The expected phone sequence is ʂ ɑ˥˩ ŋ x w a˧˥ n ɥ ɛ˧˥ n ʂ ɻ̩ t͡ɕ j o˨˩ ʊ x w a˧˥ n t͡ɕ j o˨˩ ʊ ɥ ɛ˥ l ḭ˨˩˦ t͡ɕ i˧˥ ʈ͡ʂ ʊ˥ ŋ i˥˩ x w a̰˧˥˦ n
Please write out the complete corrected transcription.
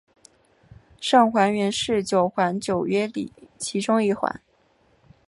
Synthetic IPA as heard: ʂ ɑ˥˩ ŋ x w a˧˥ n ɥ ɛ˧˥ n ʂ ɻ̩ t͡ɕ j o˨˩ ʊ x w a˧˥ n t͡ɕ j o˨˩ ʊ ɥ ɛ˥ l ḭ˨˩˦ t͡ɕʰ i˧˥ ʈ͡ʂ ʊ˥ ŋ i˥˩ x w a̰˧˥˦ n